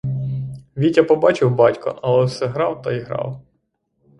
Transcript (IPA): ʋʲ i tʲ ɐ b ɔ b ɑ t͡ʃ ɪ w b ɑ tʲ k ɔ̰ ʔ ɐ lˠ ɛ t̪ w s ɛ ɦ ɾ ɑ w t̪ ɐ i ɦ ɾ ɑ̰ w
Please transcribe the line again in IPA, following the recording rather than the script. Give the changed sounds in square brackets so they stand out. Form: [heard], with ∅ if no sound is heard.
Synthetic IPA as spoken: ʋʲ i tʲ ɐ [p] ɔ b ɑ t͡ʃ ɪ w b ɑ tʲ k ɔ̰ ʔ ɐ lˠ ɛ [∅] w s ɛ ɦ ɾ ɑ w t̪ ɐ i ɦ ɾ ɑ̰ w